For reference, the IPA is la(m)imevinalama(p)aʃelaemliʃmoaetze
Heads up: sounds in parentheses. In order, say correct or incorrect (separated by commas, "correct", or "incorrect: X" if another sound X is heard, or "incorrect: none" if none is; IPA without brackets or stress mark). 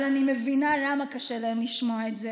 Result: incorrect: n, incorrect: k